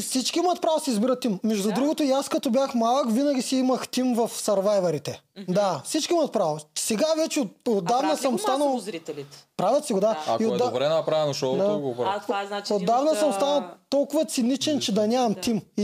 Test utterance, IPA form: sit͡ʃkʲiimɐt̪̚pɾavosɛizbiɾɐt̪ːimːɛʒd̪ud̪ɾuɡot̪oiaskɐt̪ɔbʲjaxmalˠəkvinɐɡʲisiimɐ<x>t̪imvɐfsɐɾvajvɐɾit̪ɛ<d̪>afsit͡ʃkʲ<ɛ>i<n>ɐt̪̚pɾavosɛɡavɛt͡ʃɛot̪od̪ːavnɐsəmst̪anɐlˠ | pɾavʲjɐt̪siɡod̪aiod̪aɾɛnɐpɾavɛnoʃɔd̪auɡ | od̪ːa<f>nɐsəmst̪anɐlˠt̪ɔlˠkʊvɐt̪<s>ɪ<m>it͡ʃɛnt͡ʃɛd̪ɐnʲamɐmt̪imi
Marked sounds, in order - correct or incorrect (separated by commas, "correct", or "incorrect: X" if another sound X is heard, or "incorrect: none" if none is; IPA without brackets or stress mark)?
correct, correct, incorrect: i, incorrect: m, incorrect: v, correct, incorrect: n